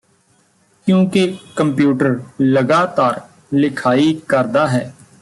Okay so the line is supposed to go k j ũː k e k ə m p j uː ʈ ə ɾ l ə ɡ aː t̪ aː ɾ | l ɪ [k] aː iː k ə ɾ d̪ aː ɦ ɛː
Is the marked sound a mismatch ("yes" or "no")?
yes